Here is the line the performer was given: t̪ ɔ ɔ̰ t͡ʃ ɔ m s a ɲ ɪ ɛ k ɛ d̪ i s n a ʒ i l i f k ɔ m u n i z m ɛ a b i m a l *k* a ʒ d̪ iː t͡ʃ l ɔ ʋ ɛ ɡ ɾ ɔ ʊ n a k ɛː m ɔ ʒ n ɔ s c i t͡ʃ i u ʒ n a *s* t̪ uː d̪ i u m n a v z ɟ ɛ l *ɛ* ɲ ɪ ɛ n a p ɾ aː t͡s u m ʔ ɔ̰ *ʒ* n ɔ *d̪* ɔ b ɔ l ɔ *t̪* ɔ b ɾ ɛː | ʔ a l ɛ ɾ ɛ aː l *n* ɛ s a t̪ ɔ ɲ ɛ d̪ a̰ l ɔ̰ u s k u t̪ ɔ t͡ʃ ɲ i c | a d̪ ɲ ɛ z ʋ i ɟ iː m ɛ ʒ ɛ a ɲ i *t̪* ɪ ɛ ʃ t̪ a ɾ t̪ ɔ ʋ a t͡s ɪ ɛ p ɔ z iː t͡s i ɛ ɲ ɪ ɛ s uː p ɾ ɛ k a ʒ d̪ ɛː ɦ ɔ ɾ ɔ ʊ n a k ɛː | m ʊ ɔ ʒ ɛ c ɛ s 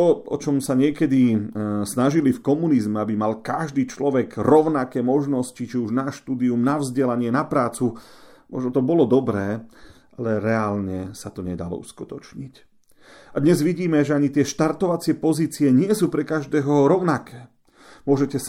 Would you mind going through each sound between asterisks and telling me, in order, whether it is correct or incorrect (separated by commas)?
correct, incorrect, incorrect, correct, incorrect, incorrect, incorrect, correct